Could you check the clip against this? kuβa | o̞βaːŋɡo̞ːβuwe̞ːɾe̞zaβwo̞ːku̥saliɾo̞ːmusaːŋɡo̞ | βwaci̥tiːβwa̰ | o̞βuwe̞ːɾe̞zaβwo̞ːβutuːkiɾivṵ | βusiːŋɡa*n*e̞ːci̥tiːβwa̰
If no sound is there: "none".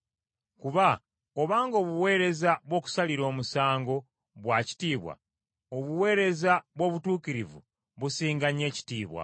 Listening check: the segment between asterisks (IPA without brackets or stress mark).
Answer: ɲ